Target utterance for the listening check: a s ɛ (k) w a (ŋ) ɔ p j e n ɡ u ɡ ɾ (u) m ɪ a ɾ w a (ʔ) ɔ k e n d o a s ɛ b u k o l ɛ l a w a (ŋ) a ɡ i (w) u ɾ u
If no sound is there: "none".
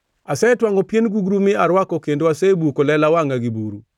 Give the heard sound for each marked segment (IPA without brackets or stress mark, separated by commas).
t, ŋ, u, k, ŋ, b